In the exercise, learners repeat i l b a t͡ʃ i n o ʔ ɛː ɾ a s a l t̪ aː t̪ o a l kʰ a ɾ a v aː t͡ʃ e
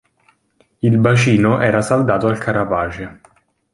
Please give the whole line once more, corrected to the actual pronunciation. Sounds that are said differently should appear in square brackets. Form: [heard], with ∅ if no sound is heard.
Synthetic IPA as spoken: i l b a t͡ʃ [iː] n o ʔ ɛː ɾ a s a l [d̪] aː t̪ o a l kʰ a ɾ a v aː t͡ʃ e